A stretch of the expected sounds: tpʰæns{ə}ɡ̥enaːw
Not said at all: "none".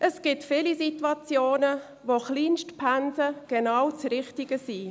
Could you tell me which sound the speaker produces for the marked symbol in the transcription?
ə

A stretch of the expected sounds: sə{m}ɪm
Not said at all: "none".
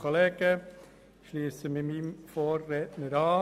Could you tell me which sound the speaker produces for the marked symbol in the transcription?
m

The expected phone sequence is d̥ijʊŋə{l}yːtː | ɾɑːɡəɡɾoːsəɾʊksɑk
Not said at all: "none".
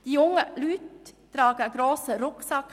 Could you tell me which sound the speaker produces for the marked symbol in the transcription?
l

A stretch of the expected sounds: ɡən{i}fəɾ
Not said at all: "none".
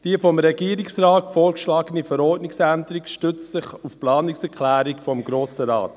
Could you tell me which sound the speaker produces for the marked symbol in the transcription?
i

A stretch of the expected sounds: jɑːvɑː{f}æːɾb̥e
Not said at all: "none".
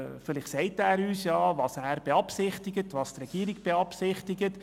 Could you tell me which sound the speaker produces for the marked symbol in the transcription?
s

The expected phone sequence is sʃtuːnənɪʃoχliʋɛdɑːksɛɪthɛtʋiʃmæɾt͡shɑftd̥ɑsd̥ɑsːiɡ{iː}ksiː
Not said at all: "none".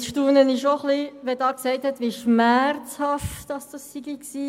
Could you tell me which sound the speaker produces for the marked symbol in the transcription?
i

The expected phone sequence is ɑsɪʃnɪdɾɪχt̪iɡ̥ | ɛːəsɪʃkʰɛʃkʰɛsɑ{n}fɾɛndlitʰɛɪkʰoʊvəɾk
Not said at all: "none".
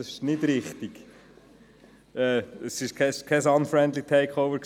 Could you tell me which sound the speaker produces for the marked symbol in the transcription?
n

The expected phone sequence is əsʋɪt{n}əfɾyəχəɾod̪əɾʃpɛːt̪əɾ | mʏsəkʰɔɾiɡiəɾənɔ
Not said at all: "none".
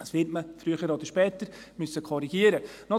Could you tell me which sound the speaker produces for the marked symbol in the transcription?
m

